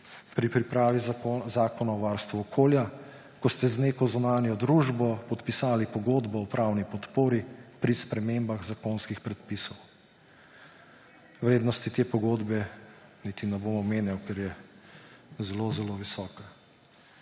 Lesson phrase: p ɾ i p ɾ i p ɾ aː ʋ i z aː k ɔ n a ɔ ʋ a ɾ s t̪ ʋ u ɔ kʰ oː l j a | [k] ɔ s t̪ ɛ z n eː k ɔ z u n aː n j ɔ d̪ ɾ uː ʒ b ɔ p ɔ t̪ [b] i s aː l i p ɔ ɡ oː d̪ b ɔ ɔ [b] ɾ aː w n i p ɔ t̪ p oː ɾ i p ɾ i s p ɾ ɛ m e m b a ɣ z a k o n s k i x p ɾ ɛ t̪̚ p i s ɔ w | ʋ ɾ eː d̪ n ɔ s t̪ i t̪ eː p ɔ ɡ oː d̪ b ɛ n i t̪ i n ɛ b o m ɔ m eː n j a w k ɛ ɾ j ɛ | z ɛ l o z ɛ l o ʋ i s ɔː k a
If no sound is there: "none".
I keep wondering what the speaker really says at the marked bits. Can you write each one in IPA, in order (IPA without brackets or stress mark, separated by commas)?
k, p, p